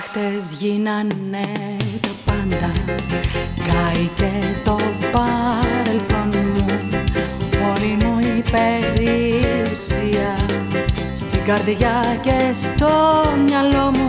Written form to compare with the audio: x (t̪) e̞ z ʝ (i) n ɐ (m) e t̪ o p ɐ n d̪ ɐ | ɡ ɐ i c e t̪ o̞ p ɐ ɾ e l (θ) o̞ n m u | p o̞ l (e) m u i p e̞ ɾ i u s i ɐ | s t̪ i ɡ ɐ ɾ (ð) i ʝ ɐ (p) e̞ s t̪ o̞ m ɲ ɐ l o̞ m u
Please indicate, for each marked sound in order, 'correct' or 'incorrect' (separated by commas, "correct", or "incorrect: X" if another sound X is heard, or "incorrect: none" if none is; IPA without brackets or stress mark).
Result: correct, correct, incorrect: n, correct, incorrect: i, correct, incorrect: c